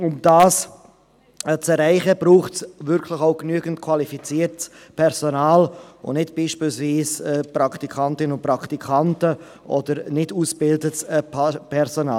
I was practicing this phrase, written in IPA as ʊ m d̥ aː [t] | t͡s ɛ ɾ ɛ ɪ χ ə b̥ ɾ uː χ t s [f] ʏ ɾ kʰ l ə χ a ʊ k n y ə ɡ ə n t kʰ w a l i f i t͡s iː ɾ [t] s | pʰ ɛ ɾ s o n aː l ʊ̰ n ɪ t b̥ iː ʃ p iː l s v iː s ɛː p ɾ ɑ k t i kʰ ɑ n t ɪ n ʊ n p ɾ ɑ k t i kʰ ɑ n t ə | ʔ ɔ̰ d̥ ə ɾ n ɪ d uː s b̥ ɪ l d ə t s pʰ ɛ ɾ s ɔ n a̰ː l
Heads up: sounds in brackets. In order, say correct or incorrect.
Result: incorrect: s, incorrect: v, correct

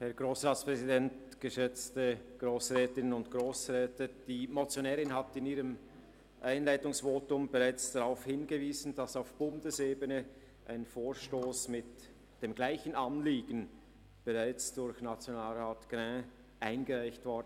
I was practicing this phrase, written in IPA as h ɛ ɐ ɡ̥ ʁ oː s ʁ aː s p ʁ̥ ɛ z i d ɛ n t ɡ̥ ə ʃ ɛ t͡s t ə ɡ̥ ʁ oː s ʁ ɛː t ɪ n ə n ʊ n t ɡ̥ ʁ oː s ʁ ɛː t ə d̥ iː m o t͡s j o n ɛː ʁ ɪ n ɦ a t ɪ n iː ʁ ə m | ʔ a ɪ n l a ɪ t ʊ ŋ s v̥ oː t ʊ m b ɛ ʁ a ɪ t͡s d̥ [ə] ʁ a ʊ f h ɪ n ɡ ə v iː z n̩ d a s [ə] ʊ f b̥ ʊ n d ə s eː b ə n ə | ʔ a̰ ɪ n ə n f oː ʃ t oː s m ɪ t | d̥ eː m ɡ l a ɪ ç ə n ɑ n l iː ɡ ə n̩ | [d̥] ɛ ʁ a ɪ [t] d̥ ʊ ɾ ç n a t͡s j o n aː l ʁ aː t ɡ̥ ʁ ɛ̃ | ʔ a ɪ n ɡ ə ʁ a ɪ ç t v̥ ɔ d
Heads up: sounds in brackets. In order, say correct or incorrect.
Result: incorrect: a, incorrect: a, incorrect: b̥, incorrect: t͡s

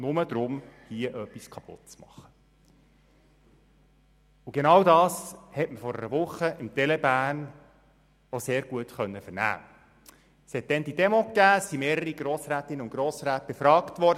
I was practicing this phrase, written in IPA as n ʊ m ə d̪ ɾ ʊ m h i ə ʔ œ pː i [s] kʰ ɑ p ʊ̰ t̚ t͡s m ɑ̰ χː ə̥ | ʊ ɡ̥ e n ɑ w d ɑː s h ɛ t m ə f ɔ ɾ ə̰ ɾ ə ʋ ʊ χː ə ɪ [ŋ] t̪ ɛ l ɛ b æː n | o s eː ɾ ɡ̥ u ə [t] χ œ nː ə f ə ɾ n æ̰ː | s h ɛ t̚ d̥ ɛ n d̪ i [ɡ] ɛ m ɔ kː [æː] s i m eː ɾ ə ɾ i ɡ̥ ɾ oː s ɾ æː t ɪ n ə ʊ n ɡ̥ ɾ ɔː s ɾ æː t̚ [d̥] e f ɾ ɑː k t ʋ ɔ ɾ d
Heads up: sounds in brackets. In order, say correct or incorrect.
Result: correct, incorrect: m, correct, incorrect: d, correct, incorrect: b̥

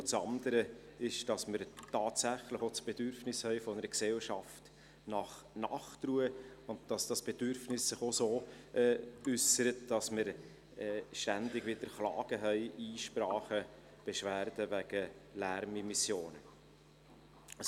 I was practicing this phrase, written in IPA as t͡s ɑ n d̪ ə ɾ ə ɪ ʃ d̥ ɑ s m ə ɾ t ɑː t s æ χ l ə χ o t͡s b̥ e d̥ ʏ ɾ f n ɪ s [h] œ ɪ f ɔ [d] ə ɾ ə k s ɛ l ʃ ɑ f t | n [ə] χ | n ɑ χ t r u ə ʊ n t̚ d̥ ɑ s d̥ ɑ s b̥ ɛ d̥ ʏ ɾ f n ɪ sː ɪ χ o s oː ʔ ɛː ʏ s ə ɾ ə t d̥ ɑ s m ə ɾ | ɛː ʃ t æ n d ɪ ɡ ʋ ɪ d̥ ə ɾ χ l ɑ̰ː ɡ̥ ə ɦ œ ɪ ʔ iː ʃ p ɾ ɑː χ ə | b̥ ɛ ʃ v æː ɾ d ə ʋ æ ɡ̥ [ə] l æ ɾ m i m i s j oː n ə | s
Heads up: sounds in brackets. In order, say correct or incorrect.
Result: correct, incorrect: n, incorrect: ɑ, correct

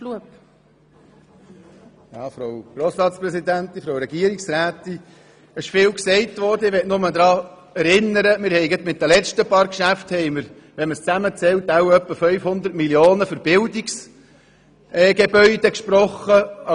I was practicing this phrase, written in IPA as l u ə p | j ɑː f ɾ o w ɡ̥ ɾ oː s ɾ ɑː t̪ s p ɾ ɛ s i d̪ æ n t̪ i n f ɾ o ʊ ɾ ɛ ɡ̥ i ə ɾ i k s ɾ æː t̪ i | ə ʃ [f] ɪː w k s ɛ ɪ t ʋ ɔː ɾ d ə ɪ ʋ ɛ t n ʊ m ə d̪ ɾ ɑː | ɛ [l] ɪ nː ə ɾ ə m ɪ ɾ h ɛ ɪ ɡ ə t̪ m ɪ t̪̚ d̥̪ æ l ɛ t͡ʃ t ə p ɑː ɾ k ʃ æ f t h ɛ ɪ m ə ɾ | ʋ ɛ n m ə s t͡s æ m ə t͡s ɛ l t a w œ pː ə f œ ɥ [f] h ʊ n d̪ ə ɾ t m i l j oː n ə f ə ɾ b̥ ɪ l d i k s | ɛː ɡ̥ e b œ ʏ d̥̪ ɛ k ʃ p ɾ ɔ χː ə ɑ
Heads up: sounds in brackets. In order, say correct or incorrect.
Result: correct, incorrect: ɾ, correct

